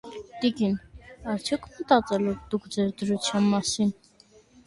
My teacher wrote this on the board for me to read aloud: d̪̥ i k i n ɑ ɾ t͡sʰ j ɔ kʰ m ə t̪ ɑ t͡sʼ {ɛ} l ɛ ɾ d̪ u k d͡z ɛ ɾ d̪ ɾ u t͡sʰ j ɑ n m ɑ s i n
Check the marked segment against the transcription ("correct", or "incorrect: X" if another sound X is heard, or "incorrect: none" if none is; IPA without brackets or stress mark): correct